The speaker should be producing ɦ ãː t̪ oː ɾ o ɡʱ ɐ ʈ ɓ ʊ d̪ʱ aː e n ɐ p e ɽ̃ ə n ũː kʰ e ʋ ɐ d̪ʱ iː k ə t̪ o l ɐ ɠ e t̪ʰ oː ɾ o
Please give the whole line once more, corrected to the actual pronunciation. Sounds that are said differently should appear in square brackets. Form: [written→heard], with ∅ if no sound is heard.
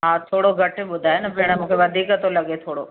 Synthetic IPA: ɦ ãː [t̪→t̪ʰ] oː [ɾ→ɽ] o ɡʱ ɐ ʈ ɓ ʊ d̪ʱ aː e n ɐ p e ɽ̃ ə [n→m] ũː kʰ e ʋ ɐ d̪ʱ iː k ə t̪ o l ɐ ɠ e t̪ʰ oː [ɾ→ɽ] o